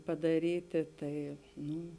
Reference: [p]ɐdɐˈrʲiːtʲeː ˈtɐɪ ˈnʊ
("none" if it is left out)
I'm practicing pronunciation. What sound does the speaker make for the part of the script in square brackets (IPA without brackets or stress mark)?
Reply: p